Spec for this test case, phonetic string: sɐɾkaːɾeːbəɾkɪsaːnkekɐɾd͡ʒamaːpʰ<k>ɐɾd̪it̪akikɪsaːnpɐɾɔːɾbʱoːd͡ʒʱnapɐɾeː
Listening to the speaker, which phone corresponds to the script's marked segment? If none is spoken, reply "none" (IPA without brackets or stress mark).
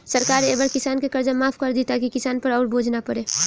k